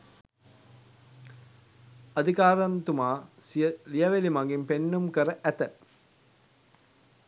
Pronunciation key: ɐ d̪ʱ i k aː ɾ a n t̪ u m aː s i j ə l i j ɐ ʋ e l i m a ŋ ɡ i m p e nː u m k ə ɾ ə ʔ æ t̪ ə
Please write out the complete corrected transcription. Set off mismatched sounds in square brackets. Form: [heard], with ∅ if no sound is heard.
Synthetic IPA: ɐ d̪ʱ i k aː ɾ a n t̪ u m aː s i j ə l i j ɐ ʋ e l i m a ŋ ɡ i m p e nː u m k ə ɾ ə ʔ æ t̪ ə